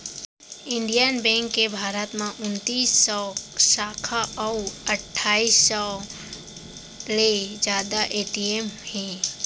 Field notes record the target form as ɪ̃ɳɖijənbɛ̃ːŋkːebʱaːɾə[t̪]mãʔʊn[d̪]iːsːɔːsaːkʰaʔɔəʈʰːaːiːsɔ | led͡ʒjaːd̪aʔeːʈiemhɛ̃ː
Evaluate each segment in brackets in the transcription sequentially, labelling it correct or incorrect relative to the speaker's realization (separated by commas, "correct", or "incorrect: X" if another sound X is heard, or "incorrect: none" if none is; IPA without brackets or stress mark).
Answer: correct, incorrect: t̪